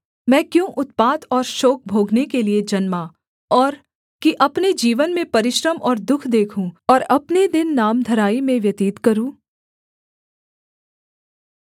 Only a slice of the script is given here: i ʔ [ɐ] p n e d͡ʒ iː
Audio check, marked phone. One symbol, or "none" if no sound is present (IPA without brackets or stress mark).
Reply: ɐ